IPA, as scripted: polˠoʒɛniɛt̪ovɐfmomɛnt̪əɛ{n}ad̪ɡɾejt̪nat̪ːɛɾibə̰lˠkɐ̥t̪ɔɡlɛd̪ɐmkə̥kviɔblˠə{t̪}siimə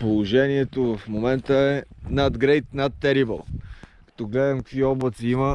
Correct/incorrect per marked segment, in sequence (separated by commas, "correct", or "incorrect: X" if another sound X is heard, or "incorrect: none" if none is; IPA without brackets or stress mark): correct, correct